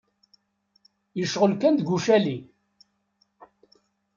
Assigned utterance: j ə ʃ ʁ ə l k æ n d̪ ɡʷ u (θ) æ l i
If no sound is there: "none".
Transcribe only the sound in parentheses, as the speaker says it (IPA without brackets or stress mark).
ʃ